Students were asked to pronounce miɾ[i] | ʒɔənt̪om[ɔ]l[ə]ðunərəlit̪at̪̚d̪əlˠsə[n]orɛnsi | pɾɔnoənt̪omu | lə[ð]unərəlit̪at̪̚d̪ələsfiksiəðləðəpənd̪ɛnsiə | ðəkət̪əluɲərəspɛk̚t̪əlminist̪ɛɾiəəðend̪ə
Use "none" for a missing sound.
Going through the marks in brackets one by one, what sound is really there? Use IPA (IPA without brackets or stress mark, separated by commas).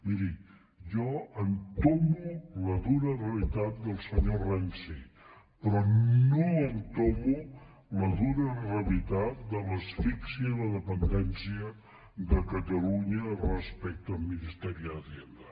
i, u, ə, ɲ, ð